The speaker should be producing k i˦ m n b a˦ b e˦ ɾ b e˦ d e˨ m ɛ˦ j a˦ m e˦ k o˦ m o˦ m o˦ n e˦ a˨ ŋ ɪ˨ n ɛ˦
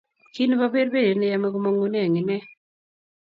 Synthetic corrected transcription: k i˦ n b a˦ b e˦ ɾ b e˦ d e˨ n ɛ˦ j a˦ m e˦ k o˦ m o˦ ŋ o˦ n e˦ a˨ ŋ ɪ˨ n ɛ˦